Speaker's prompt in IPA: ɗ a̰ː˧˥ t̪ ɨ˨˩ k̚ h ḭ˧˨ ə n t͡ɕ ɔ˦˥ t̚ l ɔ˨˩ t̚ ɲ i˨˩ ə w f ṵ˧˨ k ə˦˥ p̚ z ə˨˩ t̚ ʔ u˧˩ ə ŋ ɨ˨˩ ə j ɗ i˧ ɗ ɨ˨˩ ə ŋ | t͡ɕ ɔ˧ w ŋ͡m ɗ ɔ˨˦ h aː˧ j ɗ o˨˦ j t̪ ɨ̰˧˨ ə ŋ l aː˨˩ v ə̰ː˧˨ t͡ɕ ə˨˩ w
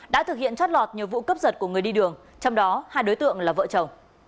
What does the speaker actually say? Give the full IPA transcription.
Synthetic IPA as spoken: ɗ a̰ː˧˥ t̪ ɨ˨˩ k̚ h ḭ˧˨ ə n t͡ɕ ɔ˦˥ t̚ l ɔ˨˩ t̚ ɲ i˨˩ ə w v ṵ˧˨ k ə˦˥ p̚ z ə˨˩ t̚ k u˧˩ ə ŋ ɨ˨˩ ə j ɗ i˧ ɗ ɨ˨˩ ə ŋ | t͡ɕ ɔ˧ w ŋ͡m ɗ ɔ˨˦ h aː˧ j ɗ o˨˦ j t̪ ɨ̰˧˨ ə ŋ l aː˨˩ v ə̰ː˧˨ t͡ɕ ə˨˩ w